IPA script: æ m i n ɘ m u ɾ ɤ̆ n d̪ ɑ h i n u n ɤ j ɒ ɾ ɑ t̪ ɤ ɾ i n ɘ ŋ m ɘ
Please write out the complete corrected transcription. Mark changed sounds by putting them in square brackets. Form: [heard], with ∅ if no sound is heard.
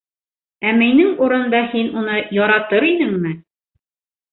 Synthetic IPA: æ m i n ɘ [ŋ] u ɾ ɤ̆ n d̪ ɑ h i n u n ɤ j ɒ ɾ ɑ t̪ ɤ ɾ i n ɘ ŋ m ɘ